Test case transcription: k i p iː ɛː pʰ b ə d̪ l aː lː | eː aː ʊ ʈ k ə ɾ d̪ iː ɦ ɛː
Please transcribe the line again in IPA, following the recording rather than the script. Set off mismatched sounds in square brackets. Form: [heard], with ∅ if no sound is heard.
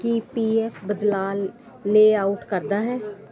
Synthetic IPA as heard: k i p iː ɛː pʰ b ə d̪ l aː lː | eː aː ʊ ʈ k ə ɾ d̪ [aː] ɦ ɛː